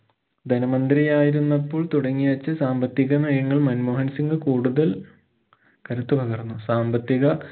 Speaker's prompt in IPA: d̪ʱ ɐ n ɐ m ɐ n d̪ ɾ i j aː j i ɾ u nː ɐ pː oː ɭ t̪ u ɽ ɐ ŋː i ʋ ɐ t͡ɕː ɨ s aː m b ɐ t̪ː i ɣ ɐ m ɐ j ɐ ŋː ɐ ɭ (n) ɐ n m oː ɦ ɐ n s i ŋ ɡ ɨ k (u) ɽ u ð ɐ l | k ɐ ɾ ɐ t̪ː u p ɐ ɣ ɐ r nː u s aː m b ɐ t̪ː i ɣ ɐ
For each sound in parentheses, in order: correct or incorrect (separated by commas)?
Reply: incorrect, incorrect